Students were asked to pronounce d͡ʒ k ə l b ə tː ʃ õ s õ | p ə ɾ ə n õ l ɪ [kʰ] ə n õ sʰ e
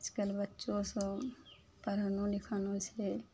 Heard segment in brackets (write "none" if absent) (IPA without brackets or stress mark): kʰ